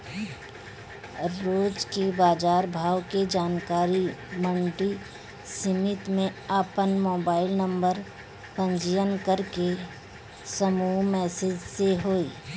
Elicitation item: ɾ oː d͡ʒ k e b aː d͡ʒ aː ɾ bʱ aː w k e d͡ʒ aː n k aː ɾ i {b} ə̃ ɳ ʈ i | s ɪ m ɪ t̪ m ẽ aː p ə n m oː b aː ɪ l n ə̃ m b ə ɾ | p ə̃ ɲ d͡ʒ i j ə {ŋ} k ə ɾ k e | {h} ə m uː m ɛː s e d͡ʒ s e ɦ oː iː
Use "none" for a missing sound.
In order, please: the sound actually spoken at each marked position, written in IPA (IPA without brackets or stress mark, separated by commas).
m, n, s